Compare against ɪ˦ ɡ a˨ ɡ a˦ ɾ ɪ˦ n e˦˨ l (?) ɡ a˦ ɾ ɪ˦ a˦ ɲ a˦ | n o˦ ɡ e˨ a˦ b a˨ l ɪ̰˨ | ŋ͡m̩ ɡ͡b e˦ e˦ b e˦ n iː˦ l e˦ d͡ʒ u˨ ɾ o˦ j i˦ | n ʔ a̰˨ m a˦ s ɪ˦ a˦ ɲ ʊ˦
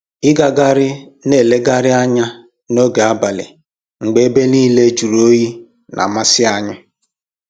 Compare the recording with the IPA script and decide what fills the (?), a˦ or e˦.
e˦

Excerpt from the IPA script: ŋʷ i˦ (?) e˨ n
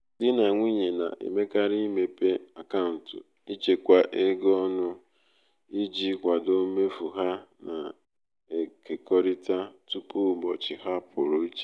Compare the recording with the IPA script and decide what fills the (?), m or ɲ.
ɲ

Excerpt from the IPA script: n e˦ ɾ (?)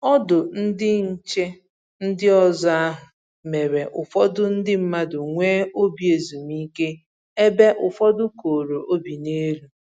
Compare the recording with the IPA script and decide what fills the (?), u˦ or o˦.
u˦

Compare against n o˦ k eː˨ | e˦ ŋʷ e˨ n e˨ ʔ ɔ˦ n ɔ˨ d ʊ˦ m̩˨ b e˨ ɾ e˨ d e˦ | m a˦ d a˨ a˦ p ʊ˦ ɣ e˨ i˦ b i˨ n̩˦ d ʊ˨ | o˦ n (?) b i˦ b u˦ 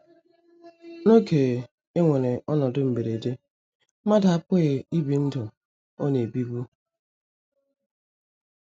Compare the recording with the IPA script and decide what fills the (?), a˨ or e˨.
e˨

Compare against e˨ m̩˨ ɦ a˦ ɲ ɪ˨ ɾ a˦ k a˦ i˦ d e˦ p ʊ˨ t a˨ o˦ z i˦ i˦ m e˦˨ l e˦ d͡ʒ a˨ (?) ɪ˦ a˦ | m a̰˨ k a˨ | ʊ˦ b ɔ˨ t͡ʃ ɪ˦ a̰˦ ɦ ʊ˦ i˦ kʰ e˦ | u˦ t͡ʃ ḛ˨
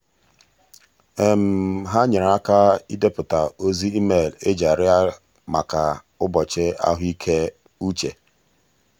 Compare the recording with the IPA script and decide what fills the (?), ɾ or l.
ɾ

